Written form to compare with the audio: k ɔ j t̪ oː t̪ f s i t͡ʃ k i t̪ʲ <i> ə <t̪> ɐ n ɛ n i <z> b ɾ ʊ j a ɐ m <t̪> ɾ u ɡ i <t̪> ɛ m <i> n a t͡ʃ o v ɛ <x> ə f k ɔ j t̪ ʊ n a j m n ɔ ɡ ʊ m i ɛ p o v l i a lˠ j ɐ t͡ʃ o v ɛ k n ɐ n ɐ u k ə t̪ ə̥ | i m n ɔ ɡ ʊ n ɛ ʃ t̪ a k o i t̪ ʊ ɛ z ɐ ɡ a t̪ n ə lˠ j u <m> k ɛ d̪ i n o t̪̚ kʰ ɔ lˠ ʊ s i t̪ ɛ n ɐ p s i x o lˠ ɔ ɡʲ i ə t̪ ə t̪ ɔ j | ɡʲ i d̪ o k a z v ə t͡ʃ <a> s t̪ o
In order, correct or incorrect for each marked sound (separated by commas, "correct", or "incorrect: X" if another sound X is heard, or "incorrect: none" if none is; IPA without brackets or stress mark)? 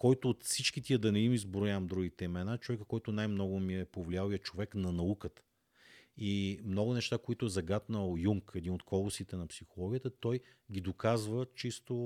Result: correct, incorrect: d̪, correct, incorrect: d̪, correct, incorrect: ɛ, incorrect: k, incorrect: ŋ, incorrect: i